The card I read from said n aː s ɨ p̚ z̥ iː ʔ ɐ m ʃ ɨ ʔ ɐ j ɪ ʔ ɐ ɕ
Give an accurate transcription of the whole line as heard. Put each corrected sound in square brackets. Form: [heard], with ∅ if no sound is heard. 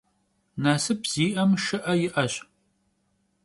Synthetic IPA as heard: n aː s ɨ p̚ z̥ iː ʔ ɐ m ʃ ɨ ʔ ɐ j ɪ ʔ ɐ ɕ

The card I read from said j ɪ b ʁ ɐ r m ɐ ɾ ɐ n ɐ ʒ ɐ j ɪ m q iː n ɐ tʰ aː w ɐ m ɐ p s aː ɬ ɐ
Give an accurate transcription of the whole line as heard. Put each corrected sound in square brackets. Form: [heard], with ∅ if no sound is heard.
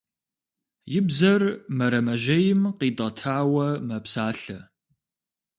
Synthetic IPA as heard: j ɪ b [z] ɐ r m ɐ ɾ ɐ [m] ɐ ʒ ɐ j ɪ m q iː [d] ɐ tʰ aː w ɐ m ɐ p s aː ɬ ɐ

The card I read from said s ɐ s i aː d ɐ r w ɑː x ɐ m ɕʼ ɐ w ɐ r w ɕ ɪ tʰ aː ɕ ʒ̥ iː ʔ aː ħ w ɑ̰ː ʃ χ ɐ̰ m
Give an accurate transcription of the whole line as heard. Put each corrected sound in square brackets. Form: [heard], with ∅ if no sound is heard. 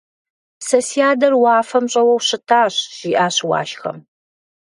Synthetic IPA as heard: s ɐ s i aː d ɐ r w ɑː [f] ɐ m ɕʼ ɐ w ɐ [∅] w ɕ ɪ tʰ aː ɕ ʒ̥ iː ʔ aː [ɕ] w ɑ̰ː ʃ [x] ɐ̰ m

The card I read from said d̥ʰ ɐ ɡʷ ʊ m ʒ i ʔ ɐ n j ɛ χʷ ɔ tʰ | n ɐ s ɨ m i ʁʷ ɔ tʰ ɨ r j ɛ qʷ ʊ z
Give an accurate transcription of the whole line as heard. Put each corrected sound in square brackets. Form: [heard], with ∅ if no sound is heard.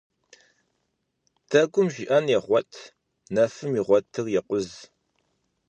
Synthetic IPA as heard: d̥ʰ ɐ ɡʷ ʊ m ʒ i ʔ ɐ n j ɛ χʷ ɔ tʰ | n ɐ [f] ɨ m i ʁʷ ɔ tʰ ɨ r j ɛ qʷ ʊ z

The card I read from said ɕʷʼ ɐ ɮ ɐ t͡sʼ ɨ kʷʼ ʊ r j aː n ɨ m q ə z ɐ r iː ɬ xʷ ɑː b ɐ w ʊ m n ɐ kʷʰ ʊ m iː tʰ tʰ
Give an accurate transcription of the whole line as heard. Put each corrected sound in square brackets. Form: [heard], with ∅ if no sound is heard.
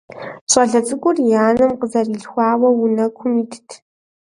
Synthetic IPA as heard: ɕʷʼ ɐ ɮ ɐ t͡sʼ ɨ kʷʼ ʊ r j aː n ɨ m q ə z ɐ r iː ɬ xʷ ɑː [w] ɐ w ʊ [∅] n ɐ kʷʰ ʊ m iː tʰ tʰ

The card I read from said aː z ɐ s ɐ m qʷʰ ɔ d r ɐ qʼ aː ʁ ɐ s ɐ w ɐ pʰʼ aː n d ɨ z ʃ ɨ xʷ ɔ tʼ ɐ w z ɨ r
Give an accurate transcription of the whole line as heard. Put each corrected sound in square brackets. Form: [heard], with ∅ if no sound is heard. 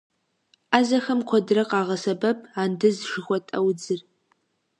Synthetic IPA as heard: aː z ɐ [x] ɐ m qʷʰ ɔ d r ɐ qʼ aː ʁ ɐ s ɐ [b] ɐ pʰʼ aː n d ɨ z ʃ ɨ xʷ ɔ tʼ ɐ w [d͡z] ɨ r

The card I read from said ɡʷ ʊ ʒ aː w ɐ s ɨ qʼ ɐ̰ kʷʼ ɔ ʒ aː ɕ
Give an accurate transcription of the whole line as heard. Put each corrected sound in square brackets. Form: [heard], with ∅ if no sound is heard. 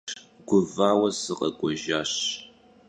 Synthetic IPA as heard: ɡʷ ʊ [v] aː w ɐ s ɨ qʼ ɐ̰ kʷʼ ɔ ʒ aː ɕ

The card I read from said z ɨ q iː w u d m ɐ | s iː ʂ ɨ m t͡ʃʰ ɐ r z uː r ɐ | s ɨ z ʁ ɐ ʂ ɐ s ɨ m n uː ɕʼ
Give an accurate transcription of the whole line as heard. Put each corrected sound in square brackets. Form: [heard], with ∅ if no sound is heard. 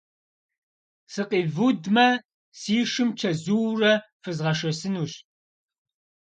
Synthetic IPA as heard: [s] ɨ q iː [v] u d m ɐ | s iː ʂ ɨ m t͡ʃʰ ɐ [∅] z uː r ɐ | [f] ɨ z ʁ ɐ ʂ ɐ s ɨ [∅] n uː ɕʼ

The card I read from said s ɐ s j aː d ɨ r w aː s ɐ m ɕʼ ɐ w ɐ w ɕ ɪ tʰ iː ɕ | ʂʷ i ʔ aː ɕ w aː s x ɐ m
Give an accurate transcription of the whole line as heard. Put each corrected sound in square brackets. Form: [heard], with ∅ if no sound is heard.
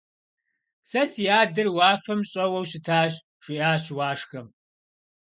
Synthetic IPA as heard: s ɐ s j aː d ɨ r w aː [f] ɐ m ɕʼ ɐ w ɐ w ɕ ɪ tʰ [aː] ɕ | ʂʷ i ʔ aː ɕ w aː [ʂ] x ɐ m

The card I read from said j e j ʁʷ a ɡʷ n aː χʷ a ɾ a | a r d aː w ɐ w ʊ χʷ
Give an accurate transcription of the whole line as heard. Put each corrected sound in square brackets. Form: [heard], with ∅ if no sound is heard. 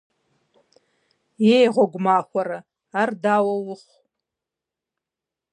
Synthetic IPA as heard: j e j ʁʷ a ɡʷ [m] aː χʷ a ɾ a | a r d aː w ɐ w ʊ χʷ

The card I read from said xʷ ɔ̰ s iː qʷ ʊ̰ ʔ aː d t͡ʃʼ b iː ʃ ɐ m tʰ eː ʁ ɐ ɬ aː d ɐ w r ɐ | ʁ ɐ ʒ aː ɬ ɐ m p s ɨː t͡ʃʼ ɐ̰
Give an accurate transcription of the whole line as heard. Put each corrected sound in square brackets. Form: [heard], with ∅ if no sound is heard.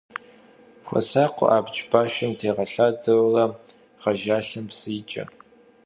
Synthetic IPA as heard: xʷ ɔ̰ s [aː] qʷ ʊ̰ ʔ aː [b] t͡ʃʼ b [aː] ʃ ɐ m tʰ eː ʁ ɐ ɬ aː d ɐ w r ɐ | ʁ ɐ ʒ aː ɬ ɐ m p s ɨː t͡ʃʼ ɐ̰

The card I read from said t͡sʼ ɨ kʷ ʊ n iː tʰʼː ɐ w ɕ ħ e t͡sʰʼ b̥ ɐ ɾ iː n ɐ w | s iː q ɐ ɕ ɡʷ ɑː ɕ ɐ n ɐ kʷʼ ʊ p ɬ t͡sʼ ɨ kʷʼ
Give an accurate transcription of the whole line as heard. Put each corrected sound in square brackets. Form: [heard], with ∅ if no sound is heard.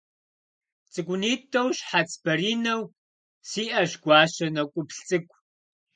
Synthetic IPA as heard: t͡sʼ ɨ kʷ ʊ n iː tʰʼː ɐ w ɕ ħ [a] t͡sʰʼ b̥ ɐ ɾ iː n ɐ w | s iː [ʔ] ɐ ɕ ɡʷ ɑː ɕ ɐ n ɐ kʷʼ ʊ p ɬ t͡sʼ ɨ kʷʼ

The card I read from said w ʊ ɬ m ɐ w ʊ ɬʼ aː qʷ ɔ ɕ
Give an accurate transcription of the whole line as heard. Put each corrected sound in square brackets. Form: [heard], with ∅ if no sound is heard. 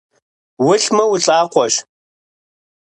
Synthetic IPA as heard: w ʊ ɬ m ɐ w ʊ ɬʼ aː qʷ ɔ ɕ

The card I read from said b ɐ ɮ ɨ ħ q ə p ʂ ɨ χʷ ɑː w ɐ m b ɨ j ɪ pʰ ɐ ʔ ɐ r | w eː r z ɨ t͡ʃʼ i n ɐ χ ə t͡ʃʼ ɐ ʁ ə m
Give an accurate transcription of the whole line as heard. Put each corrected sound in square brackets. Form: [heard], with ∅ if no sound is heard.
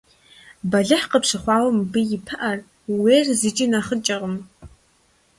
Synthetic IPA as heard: b ɐ ɮ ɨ ħ q ə p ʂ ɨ χʷ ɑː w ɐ m b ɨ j ɪ pʰ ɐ ʔ ɐ r | w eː r z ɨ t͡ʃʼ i n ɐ χ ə t͡ʃʼ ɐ ʁ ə m

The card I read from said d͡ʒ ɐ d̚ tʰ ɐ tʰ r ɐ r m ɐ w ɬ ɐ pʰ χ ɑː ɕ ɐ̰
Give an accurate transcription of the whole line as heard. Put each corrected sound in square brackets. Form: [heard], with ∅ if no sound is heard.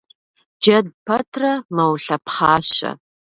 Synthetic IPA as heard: d͡ʒ ɐ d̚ [pʰ] ɐ tʰ r ɐ [∅] m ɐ w ɬ ɐ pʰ χ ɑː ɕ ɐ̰

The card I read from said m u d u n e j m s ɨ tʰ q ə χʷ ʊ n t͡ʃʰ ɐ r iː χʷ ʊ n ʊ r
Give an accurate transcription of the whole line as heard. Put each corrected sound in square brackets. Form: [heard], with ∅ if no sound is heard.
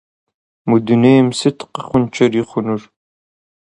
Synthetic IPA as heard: m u d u n e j m s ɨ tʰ q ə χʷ ʊ n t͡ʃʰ ɐ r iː χʷ ʊ n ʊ r

